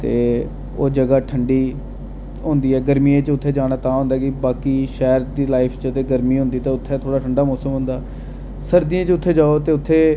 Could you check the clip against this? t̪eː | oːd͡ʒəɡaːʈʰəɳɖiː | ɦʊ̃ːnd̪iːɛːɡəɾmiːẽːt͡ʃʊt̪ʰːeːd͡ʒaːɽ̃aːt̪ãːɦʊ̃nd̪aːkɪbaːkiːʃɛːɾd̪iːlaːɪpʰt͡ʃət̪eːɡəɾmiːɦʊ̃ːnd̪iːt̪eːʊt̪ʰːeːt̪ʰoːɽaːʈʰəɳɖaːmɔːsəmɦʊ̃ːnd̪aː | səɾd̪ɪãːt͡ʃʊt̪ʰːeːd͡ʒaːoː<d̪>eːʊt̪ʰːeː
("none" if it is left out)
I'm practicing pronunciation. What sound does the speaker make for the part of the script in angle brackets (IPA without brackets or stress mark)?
t̪